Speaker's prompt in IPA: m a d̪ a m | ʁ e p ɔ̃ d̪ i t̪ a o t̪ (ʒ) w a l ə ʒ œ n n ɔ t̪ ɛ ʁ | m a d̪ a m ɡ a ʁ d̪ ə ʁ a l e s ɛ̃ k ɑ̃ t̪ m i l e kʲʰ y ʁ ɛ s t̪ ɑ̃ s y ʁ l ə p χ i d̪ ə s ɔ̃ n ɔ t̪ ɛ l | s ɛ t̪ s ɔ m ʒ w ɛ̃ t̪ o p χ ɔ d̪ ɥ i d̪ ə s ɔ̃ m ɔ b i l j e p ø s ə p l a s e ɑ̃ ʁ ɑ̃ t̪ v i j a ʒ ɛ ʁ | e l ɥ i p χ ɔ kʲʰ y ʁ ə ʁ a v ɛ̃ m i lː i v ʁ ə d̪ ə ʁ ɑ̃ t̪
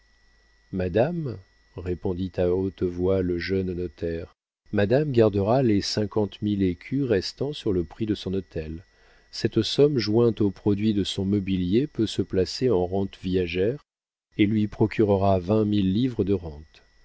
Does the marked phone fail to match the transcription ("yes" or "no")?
yes